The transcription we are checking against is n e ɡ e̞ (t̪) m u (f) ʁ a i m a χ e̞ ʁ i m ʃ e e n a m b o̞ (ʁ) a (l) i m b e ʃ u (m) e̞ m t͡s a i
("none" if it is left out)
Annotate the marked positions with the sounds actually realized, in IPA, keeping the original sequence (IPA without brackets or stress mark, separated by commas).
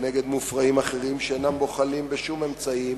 d̪, f, χ, l, m